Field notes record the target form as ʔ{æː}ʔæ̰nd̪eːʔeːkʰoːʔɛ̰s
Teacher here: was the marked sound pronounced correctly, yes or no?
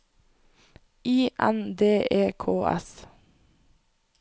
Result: no